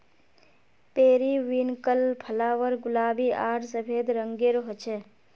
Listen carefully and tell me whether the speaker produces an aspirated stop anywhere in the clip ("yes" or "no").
yes